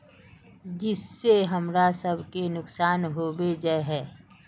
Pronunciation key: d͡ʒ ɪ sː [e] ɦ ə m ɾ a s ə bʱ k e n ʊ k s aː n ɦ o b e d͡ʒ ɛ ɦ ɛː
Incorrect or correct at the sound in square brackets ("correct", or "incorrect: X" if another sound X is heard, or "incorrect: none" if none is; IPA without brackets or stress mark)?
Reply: correct